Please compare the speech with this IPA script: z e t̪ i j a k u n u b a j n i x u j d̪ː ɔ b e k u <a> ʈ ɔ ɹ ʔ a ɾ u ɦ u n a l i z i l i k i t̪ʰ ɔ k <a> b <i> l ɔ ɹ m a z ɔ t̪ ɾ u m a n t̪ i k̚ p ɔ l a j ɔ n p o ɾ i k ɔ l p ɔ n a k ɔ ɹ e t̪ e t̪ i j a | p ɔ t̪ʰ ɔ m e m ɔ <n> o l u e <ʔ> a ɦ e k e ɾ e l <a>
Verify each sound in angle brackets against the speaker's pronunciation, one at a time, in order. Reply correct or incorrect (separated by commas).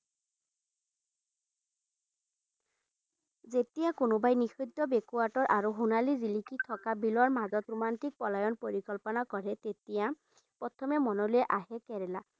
correct, correct, correct, correct, correct, correct